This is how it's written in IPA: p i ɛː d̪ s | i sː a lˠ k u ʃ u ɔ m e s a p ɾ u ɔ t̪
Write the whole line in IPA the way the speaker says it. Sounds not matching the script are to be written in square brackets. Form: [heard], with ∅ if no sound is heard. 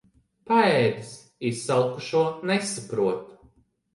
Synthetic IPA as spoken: p [a] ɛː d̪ s | i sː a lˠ k u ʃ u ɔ [n] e s a p ɾ u ɔ t̪